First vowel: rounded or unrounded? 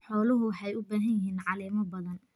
rounded